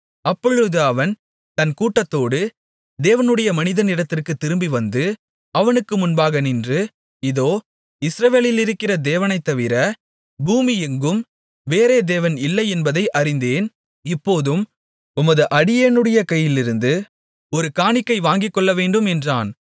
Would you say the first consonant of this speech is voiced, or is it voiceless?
voiceless